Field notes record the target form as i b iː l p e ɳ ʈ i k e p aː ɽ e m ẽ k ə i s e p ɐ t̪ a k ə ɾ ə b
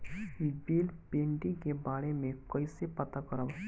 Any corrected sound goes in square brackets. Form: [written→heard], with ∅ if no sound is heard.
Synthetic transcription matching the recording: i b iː l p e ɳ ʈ i k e [p→b] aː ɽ e m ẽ k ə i s e p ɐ t̪ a k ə ɾ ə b